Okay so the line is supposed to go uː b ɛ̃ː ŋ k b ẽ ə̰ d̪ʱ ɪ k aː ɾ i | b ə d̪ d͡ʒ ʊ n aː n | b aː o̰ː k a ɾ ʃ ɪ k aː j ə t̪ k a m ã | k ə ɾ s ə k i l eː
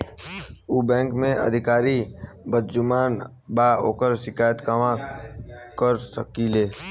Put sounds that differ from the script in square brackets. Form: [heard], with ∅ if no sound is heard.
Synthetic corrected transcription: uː b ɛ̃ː ŋ k [m] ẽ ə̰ d̪ʱ ɪ k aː ɾ i | b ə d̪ d͡ʒ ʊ [m] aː n | b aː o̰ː k [ə] ɾ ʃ ɪ k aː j ə t̪ k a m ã | k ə ɾ s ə k i l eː